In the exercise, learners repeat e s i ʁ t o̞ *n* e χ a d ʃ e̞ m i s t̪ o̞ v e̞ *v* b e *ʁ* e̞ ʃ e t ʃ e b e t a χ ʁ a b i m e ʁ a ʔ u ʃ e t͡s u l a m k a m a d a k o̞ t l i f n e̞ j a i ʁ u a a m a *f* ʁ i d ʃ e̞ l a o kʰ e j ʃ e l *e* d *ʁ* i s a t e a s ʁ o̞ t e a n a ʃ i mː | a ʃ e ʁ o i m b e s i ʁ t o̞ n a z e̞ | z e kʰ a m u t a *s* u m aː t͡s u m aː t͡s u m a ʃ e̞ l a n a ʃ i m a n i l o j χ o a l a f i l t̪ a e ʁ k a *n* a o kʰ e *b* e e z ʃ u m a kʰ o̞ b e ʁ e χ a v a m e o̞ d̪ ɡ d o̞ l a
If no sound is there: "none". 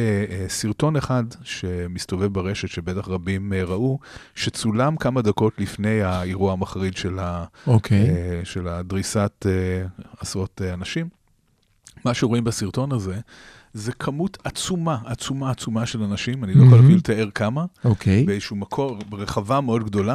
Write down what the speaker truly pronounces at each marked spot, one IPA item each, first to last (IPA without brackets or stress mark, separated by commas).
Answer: n, v, ʁ, χ, a, ʁ, t͡s, m, b